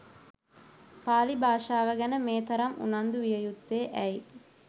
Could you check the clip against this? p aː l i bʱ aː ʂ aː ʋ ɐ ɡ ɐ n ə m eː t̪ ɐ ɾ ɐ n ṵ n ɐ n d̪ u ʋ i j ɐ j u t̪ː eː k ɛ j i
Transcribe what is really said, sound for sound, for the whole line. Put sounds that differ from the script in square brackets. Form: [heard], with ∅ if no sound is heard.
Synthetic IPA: p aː l i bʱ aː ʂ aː ʋ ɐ ɡ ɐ n ə m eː t̪ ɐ ɾ ɐ [m] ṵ n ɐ n d̪ u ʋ i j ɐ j u t̪ː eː [ʔ] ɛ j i